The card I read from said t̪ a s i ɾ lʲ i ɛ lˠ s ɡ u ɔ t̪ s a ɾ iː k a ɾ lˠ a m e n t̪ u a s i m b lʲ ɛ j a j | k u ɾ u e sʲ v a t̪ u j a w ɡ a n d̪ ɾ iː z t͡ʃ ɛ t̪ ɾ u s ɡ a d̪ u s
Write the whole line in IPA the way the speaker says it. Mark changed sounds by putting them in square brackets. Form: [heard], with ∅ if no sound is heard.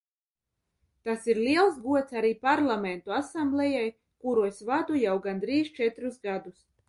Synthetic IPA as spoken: t̪ a s i ɾ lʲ i ɛ lˠ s ɡ u ɔ t̪ s a ɾ iː [p] a ɾ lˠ a m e n t̪ u a s [a] m b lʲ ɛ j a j | k u ɾ u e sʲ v a [d̪] u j a w ɡ a n d̪ ɾ iː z t͡ʃ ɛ t̪ ɾ u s ɡ a d̪ u s